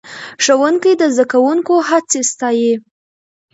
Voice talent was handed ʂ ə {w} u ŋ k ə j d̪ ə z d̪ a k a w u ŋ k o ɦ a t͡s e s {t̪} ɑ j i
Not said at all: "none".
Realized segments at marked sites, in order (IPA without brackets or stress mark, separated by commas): w, t̪